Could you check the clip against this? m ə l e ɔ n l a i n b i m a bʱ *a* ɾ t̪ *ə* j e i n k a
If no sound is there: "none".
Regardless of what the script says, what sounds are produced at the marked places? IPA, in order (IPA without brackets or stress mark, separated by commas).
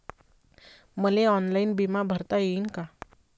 ə, a